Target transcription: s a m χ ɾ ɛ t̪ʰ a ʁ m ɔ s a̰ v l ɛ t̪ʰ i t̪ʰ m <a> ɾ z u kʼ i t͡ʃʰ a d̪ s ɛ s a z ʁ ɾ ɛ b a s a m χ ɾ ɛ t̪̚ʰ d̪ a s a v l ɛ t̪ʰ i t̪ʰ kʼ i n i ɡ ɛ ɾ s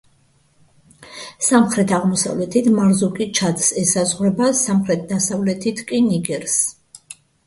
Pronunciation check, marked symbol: correct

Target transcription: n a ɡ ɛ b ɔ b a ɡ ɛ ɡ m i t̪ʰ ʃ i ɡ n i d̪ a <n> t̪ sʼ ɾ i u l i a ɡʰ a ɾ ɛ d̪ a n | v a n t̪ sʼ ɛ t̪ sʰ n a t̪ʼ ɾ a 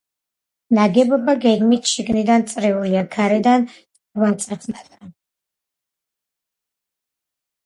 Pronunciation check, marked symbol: correct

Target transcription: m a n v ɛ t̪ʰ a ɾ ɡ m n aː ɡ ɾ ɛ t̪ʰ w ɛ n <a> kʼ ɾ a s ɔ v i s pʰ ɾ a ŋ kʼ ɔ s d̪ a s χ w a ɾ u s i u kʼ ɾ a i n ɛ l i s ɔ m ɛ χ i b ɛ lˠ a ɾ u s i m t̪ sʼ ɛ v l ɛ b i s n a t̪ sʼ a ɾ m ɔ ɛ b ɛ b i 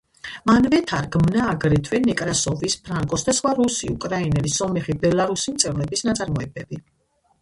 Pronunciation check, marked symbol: incorrect: ɛ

